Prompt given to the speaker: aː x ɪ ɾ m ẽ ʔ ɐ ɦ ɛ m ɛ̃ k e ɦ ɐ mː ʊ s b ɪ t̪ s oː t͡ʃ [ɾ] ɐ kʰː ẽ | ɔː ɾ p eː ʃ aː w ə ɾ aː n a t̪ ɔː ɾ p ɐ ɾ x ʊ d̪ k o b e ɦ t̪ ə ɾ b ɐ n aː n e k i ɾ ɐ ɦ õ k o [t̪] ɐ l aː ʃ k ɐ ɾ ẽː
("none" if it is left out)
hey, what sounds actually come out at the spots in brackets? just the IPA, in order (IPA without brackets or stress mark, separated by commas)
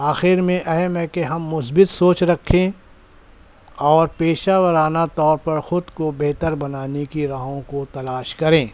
ɾ, t̪